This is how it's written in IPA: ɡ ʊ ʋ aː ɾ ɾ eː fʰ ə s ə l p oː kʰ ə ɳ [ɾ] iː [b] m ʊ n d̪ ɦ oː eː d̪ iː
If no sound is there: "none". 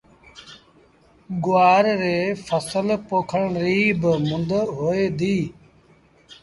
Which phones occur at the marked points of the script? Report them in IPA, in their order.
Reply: ɾ, b

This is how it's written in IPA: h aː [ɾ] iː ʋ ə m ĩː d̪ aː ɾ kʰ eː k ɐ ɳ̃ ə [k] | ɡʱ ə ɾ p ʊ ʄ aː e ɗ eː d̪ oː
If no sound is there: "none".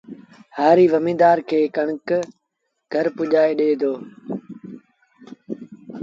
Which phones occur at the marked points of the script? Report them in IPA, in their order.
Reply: ɾ, k

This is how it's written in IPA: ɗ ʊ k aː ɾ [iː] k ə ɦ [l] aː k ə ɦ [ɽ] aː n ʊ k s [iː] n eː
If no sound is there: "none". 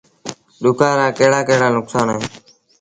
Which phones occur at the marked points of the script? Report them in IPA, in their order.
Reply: aː, ɽ, ɽ, aː

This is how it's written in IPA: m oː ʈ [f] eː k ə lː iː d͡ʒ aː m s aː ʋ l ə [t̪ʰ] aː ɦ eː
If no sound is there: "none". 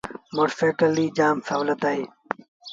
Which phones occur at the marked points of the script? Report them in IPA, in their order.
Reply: f, t̪

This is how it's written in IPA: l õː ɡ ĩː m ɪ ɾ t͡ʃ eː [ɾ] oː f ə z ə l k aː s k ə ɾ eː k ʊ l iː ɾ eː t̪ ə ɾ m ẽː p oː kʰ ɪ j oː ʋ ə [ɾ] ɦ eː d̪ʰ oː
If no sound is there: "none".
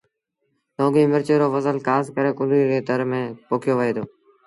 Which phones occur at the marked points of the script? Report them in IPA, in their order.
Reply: ɾ, none

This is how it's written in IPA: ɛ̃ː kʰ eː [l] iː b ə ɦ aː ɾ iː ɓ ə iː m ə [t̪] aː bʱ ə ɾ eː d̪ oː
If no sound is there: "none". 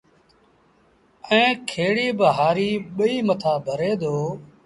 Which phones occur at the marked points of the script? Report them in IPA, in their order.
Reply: ɽ, t̪ʰ

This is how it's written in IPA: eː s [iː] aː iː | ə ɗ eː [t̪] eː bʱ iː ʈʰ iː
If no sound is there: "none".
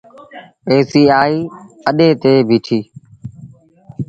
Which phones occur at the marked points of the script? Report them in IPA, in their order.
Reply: iː, t̪

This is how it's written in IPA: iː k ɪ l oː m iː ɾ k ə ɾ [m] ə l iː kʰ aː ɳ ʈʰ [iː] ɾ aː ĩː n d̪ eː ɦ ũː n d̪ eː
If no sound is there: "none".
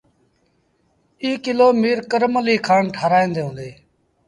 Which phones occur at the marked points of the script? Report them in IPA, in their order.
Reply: m, aː

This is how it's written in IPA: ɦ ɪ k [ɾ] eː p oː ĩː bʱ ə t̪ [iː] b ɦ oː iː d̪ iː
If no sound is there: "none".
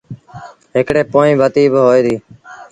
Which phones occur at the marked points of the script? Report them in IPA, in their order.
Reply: ɽ, iː

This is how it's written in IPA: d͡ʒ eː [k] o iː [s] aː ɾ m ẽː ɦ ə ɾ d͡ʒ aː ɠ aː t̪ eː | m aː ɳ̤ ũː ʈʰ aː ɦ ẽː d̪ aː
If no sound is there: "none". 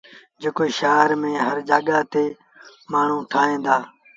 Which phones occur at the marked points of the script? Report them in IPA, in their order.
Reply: k, ʃ

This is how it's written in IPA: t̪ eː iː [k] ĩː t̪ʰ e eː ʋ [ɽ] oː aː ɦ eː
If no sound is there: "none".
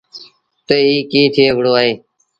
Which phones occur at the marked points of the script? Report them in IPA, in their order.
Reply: k, ɽ

